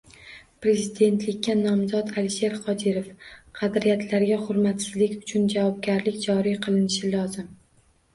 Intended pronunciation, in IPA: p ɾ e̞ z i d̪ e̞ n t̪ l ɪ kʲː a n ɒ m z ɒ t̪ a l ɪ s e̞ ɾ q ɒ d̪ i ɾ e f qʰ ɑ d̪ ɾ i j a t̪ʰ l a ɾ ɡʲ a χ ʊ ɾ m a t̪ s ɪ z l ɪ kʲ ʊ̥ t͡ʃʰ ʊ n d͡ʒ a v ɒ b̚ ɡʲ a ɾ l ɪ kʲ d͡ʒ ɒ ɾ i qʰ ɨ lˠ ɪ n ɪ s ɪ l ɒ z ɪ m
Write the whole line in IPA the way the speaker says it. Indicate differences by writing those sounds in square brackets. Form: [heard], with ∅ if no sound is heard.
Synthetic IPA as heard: p ɾ e̞ z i d̪ e̞ n t̪ l ɪ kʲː a n ɒ m z ɒ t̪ a l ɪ [ʃ] e̞ ɾ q ɒ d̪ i ɾ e f qʰ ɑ d̪ ɾ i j a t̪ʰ l a ɾ ɡʲ a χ ʊ ɾ m a t̪ s ɪ z l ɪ kʲ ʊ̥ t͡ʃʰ ʊ n d͡ʒ a v ɒ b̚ ɡʲ a ɾ l ɪ kʲ d͡ʒ ɒ ɾ i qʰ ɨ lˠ ɪ n ɪ [ʃ] ɪ l ɒ z ɪ m